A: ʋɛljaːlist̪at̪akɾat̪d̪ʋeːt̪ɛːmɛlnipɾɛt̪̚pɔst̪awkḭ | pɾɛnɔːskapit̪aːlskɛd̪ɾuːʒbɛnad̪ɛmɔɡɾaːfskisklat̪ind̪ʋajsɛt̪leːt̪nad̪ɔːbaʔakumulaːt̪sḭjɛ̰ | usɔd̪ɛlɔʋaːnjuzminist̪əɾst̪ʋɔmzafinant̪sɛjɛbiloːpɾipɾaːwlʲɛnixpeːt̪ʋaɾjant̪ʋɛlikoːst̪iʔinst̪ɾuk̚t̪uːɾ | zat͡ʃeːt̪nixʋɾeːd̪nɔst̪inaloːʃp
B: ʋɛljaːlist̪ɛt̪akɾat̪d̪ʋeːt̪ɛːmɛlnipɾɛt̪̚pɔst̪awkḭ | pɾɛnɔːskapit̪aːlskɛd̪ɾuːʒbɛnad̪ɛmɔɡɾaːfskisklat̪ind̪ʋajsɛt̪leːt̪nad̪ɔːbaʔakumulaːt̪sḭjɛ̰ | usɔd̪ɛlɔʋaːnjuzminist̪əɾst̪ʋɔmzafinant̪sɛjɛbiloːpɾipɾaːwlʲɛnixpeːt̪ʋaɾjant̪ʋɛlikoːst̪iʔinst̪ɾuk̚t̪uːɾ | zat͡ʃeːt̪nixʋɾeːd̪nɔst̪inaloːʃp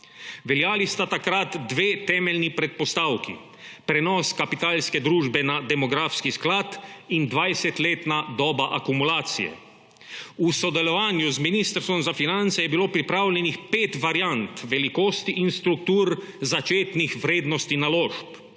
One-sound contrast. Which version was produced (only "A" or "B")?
A